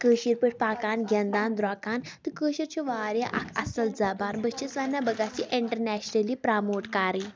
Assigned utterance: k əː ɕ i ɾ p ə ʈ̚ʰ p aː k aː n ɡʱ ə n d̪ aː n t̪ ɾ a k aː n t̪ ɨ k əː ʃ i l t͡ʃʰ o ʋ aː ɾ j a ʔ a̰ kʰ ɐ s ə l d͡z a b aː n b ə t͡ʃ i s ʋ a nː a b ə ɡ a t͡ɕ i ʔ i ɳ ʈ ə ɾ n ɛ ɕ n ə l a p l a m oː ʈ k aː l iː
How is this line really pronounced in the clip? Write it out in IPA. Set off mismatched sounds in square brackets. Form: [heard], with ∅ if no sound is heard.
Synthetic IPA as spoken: k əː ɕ i ɾ p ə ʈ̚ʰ p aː k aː n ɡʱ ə n d̪ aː n [d̪] ɾ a k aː n t̪ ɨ k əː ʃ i [ɾ] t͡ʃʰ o ʋ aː ɾ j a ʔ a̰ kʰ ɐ s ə l d͡z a b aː n b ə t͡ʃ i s ʋ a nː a b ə ɡ a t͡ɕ i ʔ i ɳ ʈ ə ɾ n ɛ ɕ n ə l [i] p [ɾ] a m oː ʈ k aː [ɾ] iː

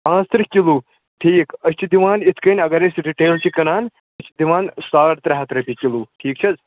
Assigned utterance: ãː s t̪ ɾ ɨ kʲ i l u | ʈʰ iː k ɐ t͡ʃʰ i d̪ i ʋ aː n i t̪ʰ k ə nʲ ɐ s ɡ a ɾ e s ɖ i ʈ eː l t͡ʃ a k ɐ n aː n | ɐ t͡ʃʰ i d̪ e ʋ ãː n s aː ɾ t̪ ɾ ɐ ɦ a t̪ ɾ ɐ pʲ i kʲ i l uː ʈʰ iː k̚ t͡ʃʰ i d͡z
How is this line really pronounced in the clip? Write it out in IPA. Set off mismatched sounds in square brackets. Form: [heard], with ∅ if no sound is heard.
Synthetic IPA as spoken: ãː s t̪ ɾ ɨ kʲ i l u | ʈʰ iː k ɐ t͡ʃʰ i d̪ i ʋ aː n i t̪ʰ k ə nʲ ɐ [∅] ɡ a ɾ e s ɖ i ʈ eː l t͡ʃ [i] k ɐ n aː n | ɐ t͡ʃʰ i d̪ [i] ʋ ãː n s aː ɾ t̪ ɾ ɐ ɦ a t̪ ɾ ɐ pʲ i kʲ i l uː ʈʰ iː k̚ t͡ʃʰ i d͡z

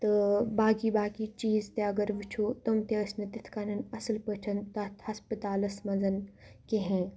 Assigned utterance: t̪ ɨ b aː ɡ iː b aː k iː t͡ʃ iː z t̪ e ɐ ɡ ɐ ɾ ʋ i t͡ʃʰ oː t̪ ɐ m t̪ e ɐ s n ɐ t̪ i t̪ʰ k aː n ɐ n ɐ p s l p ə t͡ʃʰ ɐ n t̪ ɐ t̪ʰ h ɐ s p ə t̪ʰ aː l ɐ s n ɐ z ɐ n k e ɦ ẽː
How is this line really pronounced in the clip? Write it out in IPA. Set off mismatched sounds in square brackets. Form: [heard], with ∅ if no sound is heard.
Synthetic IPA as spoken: t̪ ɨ b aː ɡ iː b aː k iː t͡ʃ iː z t̪ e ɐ ɡ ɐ ɾ ʋ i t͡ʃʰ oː t̪ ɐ m t̪ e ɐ s n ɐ t̪ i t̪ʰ k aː n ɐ n ɐ [∅] s l p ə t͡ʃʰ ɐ n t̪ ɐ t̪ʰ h ɐ s p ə [t̪] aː l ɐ s [m] ɐ z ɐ n k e ɦ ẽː

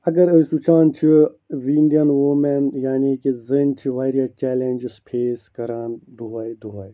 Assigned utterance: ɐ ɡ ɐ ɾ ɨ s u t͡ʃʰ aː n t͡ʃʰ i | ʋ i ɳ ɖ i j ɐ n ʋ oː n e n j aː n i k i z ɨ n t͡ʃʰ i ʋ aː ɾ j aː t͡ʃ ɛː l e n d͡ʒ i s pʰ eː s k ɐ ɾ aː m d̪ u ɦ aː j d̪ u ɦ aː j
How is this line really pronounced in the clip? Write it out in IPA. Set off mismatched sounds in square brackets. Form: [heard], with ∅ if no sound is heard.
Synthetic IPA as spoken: ɐ ɡ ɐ ɾ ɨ s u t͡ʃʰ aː n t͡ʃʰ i | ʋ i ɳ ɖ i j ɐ n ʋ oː [m] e n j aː n i k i z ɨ n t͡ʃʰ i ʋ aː ɾ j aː t͡ʃ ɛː l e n d͡ʒ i s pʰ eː s k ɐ ɾ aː [n] d̪ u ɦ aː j d̪ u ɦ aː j

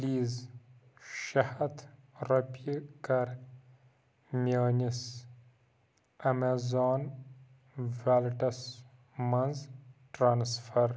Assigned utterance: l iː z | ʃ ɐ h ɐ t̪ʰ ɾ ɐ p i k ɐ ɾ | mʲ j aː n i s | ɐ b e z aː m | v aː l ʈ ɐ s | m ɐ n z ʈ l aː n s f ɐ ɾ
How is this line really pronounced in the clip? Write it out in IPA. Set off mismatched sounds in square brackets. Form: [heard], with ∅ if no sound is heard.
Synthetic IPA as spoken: l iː z | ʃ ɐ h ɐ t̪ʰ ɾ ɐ p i k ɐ ɾ | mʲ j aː n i s | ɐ [m] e z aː [n] | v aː l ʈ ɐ s | m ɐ n z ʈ [ɾ] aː n s f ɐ ɾ

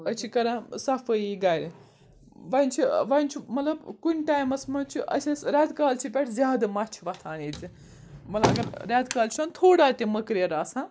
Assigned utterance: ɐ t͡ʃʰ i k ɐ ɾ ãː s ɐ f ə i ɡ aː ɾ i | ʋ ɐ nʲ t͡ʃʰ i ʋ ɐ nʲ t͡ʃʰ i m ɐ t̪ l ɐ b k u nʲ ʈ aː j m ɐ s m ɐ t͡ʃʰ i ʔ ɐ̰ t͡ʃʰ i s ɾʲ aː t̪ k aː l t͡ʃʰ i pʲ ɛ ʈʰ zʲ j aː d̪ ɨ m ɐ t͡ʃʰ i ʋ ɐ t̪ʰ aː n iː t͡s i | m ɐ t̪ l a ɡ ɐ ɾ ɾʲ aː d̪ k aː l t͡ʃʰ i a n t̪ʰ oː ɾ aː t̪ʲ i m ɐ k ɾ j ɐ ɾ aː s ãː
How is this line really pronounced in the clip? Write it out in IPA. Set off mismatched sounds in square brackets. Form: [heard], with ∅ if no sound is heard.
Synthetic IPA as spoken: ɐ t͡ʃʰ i k ɐ ɾ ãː s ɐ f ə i ɡ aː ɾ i | ʋ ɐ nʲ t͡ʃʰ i ʋ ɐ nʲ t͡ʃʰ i m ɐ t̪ l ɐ b k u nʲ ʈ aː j m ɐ s m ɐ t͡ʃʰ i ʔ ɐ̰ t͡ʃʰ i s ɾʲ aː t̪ k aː l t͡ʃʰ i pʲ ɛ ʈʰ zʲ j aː d̪ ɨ m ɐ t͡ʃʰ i ʋ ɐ t̪ʰ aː n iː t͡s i | m ɐ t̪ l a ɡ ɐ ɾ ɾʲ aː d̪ k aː l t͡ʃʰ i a n t̪ʰ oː [ɽ] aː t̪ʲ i m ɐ k ɾ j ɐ ɾ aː s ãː

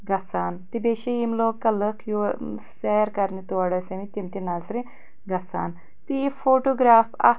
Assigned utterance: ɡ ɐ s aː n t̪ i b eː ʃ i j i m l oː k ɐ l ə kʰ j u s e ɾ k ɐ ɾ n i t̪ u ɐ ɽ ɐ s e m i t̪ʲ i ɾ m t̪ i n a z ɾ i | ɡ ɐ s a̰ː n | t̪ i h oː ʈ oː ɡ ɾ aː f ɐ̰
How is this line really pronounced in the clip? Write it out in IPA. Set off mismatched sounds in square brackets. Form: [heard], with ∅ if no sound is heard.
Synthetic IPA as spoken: ɡ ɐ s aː n t̪ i b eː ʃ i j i m l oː k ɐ l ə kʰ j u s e ɾ k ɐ ɾ n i t̪ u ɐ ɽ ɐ s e m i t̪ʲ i [∅] m t̪ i n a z ɾ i | ɡ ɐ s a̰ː n | t̪ i [f] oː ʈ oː ɡ ɾ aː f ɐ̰

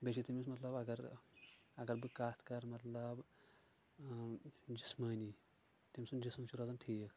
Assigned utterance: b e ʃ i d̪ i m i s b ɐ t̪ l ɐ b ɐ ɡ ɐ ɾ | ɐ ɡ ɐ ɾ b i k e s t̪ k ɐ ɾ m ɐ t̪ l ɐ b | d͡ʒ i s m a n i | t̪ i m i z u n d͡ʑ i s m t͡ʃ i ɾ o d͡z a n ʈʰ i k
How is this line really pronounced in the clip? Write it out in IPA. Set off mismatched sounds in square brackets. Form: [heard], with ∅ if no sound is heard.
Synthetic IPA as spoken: b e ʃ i [t̪] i m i s [m] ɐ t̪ l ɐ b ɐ ɡ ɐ ɾ | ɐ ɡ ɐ ɾ b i k [a] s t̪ k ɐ ɾ m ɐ t̪ l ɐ b | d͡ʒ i s m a n i | t̪ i m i [s] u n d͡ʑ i s m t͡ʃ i ɾ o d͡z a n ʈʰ i k

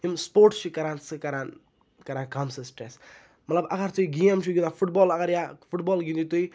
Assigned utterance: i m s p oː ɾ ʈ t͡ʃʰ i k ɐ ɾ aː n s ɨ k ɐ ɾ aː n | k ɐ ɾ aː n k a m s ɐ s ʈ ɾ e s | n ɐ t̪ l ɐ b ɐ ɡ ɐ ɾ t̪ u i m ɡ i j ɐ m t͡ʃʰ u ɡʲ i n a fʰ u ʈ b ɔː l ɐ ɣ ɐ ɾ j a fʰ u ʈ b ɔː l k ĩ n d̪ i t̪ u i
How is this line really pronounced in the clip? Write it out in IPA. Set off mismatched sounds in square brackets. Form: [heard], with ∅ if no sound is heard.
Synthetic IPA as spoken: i m s p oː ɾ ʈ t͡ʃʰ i k ɐ ɾ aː n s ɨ k ɐ ɾ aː n | k ɐ ɾ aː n k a m s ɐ s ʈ ɾ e s | [m] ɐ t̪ l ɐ b ɐ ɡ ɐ ɾ t̪ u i [∅] ɡ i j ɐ m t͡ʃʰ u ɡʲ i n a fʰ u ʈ b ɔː l ɐ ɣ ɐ ɾ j a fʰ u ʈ b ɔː l [ɡ] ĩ n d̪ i t̪ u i

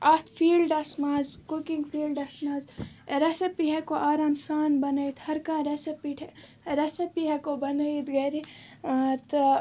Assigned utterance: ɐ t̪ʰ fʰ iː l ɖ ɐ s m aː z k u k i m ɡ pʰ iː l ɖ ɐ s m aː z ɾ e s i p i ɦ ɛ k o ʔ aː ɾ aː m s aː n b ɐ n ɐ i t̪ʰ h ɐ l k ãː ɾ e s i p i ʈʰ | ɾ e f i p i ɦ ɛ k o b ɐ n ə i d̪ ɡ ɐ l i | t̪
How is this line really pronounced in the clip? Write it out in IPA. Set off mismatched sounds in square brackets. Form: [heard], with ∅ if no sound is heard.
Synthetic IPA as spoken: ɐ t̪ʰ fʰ iː l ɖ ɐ s m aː z k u k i [ŋ] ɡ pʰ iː l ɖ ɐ s m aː z ɾ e s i p i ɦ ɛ k o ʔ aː ɾ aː m s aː n b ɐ n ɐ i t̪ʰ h ɐ [ɾ] k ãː ɾ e s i p i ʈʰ | ɾ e [s] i p i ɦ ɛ k o b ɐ n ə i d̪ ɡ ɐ [ɾ] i | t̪

